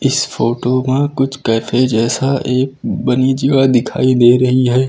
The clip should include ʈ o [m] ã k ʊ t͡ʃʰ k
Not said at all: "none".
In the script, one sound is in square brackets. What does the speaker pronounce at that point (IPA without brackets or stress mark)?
m